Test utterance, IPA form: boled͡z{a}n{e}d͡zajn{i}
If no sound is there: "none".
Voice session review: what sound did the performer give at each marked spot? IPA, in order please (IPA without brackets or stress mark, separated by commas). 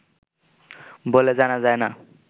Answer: a, a, a